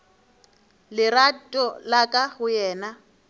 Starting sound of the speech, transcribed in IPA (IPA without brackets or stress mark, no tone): l